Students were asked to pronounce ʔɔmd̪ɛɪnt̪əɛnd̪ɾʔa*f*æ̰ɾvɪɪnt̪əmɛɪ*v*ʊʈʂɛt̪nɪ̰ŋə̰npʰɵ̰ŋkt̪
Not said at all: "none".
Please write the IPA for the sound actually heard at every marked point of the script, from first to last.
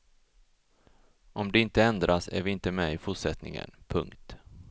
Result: s, f

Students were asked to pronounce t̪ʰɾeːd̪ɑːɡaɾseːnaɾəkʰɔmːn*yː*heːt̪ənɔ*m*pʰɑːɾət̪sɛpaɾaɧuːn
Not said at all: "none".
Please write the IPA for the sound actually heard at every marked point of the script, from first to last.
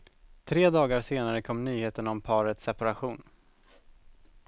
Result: yː, m

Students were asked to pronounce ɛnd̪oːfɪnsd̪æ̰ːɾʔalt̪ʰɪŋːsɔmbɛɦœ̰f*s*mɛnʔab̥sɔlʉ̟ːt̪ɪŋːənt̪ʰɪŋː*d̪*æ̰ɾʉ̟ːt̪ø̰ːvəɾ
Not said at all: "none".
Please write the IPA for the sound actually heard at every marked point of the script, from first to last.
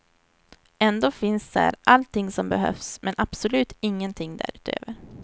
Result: s, d̪

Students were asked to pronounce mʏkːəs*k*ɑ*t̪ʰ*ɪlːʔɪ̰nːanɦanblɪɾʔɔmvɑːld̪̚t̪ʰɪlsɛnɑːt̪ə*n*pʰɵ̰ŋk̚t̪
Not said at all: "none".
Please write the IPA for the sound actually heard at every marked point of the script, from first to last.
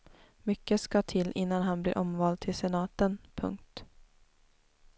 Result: k, t̪ʰ, n

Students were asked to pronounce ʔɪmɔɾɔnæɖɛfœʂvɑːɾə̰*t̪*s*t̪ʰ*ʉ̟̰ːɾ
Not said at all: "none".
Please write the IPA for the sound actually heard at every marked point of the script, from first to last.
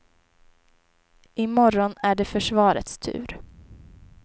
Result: t̪, t̪ʰ

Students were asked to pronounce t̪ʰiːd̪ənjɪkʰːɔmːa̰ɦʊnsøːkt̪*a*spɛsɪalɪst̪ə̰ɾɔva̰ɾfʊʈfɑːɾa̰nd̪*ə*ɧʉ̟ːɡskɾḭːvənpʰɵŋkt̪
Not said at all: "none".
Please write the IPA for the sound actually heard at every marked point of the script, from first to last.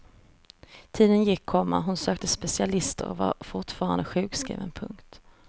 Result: ə, ə

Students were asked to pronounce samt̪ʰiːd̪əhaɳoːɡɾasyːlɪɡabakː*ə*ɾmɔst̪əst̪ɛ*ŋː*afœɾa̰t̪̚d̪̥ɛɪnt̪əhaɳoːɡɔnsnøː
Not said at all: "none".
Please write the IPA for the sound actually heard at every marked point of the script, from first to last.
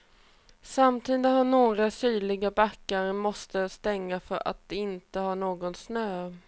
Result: a, ŋː

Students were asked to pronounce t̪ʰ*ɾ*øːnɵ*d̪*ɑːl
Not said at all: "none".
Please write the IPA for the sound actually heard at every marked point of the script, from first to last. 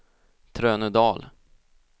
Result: ɾ, d̪

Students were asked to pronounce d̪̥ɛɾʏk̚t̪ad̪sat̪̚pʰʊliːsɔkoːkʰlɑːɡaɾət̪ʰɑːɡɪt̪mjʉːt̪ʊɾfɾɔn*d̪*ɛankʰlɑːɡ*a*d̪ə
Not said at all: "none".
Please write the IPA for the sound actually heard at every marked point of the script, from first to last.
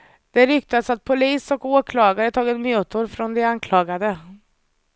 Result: d̪, a

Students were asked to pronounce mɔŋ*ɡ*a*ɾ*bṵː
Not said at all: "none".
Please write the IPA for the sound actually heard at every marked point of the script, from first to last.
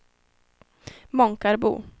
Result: k, ɾ

